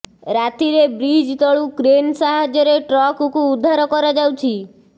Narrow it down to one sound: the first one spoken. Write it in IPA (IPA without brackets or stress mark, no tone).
ɾ